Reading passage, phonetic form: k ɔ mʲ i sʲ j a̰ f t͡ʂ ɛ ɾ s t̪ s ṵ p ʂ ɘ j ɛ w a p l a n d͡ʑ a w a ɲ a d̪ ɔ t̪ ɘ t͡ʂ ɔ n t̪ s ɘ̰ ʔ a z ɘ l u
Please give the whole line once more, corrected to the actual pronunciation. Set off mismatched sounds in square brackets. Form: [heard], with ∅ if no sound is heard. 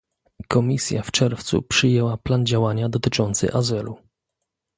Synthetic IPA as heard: k ɔ mʲ i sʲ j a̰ f t͡ʂ ɛ ɾ [f] t̪ s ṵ p ʂ ɘ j ɛ w a p l a n d͡ʑ a w a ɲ a d̪ ɔ t̪ ɘ t͡ʂ ɔ n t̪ s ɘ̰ ʔ a z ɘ l u